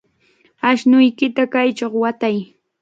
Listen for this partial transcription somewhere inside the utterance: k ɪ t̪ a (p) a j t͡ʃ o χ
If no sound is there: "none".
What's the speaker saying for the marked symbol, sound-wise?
k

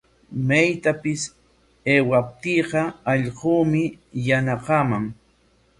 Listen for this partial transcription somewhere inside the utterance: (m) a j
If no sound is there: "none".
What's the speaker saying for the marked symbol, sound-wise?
m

